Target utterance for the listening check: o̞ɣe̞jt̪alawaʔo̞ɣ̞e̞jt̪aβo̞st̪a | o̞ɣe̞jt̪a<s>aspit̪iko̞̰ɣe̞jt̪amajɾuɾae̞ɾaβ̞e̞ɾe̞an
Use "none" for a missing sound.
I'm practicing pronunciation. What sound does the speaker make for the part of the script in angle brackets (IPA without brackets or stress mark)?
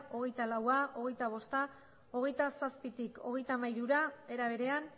s